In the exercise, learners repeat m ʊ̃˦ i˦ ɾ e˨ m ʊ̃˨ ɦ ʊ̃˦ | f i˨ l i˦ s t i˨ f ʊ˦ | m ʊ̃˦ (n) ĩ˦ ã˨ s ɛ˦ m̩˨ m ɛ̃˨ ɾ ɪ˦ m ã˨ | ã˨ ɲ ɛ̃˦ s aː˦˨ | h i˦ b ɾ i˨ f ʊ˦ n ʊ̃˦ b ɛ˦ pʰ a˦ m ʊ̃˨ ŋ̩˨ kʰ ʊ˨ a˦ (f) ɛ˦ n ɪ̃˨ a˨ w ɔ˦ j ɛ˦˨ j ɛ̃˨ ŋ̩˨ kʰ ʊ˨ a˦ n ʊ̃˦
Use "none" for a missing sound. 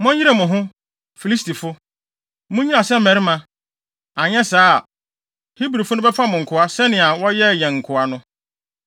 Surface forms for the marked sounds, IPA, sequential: ɲ, s

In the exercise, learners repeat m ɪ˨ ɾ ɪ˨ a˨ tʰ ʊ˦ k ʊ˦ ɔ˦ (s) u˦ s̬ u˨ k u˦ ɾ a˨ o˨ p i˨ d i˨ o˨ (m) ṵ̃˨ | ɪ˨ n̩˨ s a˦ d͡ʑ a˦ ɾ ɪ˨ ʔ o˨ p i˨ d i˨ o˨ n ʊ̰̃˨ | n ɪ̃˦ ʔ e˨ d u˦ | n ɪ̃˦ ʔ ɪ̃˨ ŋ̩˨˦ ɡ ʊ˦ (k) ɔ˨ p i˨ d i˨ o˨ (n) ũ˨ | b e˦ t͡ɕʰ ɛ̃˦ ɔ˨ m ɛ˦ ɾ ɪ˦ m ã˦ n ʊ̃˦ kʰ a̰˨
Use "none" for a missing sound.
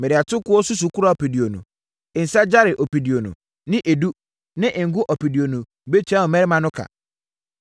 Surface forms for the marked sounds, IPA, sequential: s, n, ʔ, n

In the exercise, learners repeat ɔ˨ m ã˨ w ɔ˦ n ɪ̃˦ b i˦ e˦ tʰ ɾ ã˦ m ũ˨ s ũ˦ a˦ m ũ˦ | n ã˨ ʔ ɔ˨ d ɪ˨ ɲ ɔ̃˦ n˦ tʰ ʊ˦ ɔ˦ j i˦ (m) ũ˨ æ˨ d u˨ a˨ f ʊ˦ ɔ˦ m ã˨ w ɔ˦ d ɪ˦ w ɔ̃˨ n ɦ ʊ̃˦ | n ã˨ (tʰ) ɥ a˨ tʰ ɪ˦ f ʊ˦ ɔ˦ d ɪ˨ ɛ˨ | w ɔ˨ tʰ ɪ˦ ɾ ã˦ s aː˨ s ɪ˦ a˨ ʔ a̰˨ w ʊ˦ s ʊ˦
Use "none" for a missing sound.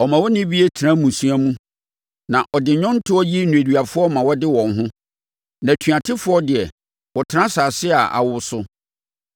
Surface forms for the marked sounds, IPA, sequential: n, tʰ

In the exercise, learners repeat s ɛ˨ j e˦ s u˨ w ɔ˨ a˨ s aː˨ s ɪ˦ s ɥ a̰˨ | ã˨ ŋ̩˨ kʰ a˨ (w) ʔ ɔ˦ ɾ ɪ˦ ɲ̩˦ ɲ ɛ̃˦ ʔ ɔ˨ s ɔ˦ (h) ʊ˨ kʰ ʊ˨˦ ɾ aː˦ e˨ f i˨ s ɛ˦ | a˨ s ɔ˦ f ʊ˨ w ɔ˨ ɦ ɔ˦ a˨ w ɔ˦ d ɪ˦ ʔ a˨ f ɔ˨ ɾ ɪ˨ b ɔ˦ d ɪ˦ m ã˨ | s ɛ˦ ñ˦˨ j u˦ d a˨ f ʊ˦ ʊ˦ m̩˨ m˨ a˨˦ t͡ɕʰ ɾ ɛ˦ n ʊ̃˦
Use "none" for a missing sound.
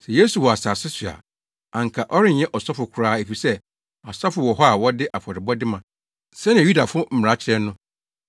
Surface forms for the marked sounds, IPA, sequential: none, f

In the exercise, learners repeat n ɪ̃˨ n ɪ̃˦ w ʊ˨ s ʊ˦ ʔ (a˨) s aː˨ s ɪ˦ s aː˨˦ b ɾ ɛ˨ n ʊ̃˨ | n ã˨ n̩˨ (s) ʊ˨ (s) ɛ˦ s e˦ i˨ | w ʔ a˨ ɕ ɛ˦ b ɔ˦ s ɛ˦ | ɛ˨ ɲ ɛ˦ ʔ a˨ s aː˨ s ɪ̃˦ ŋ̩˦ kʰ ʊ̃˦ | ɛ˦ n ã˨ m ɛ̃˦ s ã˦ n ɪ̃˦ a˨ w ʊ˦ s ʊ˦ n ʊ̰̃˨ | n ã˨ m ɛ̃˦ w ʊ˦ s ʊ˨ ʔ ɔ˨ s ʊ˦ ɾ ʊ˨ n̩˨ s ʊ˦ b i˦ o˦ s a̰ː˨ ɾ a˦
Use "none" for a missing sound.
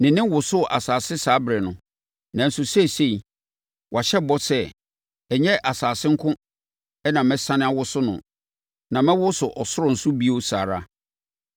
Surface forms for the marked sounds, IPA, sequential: a˨, s, s

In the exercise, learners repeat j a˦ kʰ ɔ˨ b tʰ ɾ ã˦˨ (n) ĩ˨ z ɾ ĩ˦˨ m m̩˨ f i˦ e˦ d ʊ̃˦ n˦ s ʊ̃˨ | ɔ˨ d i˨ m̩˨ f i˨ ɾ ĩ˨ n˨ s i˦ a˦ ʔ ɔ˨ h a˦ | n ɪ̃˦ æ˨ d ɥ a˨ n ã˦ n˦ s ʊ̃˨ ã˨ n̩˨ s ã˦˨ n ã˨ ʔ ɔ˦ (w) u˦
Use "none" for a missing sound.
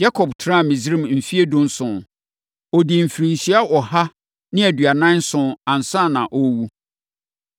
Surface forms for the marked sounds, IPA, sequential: m, w

